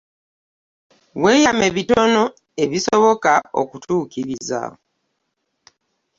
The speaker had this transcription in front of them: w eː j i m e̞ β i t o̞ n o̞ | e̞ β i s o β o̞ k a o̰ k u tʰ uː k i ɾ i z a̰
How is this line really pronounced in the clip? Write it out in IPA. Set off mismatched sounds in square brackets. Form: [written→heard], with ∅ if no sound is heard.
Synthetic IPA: w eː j [i→a] m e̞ β i t o̞ n o̞ | e̞ β i s o β o̞ k a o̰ k u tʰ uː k i ɾ i z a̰